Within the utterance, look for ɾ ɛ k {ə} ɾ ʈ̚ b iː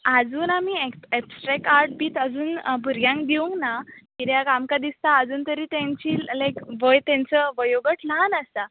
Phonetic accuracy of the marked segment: incorrect: a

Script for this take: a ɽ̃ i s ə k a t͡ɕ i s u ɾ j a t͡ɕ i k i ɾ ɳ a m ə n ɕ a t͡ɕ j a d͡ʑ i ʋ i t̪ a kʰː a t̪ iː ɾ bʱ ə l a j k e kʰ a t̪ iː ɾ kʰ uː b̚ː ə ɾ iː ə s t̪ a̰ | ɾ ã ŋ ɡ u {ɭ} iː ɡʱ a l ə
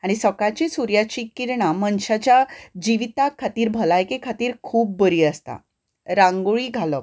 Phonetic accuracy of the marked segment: correct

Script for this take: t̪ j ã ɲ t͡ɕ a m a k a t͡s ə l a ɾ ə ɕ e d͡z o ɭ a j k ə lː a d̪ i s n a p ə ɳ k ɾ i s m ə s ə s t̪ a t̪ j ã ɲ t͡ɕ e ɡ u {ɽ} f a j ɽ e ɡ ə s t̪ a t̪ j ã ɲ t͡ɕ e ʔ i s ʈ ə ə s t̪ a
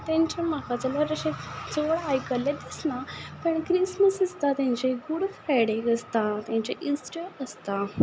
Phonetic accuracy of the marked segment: correct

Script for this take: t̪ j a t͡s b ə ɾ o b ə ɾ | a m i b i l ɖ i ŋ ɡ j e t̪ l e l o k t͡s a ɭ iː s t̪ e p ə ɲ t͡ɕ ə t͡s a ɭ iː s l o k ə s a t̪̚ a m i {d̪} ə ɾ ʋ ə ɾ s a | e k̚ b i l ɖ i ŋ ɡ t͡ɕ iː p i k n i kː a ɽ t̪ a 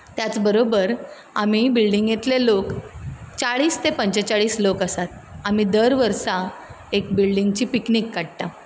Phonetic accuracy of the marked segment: correct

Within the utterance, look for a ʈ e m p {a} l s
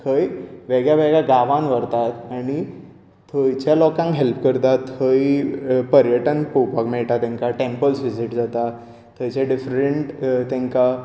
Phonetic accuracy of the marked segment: incorrect: ə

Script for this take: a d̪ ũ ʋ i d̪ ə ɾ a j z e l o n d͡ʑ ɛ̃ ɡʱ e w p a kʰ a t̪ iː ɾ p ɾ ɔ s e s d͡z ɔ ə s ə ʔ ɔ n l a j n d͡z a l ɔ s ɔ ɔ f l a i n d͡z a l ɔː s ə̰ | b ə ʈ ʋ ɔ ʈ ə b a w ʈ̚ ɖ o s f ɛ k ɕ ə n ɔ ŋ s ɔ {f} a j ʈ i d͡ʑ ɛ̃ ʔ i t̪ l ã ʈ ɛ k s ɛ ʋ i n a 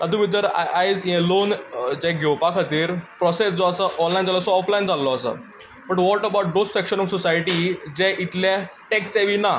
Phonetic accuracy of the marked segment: incorrect: s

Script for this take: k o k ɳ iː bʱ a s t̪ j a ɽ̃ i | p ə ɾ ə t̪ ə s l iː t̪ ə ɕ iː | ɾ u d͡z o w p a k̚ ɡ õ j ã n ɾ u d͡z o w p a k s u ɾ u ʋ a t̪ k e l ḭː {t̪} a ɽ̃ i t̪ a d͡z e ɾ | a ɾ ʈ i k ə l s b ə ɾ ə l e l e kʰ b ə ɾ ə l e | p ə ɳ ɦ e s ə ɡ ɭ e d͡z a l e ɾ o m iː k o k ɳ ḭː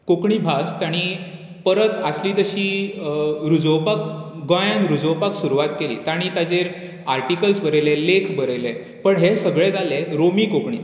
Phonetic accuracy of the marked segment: correct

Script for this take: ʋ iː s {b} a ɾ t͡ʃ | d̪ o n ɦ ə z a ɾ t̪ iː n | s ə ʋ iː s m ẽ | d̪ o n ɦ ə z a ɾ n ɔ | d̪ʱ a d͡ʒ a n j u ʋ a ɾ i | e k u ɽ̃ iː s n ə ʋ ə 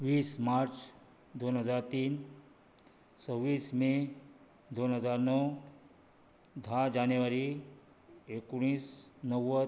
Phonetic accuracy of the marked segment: incorrect: m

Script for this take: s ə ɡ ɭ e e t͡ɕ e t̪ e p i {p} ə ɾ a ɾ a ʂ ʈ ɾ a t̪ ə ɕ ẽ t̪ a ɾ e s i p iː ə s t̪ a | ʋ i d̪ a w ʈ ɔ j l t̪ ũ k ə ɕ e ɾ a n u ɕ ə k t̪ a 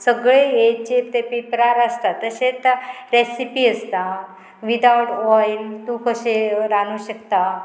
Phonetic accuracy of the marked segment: correct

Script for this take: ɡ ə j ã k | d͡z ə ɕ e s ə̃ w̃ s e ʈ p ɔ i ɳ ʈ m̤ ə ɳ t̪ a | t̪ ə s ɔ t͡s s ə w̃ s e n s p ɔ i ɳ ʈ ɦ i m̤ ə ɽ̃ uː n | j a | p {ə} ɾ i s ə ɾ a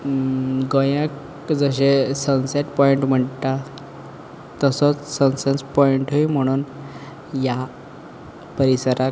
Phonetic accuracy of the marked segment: correct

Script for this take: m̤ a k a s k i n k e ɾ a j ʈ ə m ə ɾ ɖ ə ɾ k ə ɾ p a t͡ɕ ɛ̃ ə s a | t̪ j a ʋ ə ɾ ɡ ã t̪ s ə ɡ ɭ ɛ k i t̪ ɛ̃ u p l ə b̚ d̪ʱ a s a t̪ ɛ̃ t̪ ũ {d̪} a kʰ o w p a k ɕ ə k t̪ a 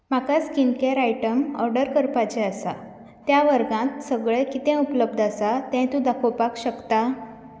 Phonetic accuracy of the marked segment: correct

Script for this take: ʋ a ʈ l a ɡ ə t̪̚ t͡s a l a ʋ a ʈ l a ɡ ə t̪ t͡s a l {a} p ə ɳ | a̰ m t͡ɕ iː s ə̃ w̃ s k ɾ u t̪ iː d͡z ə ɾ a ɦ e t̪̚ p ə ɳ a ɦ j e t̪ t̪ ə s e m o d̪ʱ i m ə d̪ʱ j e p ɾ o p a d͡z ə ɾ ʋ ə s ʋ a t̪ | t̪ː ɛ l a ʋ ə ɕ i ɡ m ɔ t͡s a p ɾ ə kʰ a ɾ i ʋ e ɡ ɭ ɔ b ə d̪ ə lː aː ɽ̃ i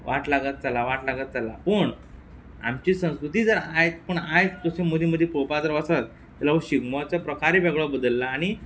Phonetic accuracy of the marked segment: correct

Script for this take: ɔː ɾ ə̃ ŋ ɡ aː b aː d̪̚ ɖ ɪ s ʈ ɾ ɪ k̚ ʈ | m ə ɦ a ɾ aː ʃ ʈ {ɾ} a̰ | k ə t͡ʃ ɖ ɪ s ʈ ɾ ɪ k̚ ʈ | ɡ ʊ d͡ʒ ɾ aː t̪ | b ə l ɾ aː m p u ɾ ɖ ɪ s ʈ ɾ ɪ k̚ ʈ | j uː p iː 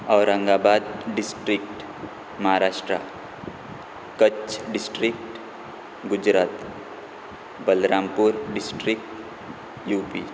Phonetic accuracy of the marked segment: correct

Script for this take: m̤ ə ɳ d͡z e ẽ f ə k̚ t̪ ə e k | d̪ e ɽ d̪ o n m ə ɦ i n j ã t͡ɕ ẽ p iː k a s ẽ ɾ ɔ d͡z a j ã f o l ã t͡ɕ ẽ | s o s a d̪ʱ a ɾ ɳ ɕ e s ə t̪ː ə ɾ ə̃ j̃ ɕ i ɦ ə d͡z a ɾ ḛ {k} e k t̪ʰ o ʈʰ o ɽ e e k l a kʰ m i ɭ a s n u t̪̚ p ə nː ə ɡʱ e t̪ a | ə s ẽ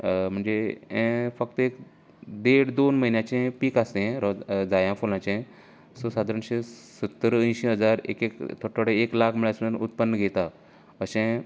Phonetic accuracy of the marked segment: correct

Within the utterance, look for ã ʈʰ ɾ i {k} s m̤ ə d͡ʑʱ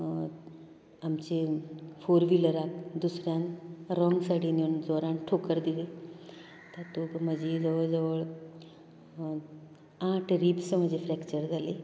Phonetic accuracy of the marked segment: incorrect: p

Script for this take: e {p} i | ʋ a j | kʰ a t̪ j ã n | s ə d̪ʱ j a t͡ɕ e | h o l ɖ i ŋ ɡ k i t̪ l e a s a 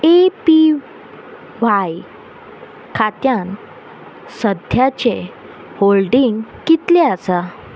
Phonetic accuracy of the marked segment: correct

